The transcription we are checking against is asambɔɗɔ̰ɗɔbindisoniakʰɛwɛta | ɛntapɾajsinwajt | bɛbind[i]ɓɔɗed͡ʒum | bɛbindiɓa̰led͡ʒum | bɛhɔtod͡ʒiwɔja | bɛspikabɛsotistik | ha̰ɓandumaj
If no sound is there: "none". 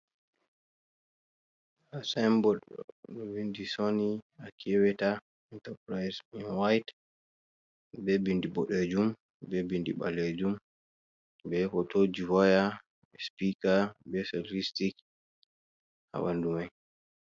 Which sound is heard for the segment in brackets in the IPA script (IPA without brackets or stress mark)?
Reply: i